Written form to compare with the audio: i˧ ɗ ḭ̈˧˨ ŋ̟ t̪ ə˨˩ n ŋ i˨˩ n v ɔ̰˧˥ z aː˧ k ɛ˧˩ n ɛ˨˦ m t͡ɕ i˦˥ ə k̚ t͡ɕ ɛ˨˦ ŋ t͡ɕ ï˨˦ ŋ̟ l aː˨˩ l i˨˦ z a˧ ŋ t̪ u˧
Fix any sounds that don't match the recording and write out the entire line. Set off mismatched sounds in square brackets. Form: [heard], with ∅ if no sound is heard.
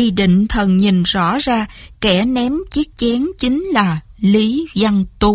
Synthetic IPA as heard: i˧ ɗ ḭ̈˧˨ ŋ̟ [t̪ʰ] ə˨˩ n [ɲ] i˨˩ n [z] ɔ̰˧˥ z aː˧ k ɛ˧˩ n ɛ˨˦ m t͡ɕ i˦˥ ə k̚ t͡ɕ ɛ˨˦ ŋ t͡ɕ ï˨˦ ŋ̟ l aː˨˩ l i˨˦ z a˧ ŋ t̪ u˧